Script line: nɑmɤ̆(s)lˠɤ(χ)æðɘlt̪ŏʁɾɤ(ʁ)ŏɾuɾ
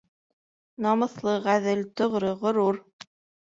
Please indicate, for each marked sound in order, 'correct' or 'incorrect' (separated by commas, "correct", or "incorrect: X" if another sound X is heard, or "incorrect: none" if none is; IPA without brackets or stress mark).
incorrect: θ, incorrect: ʁ, correct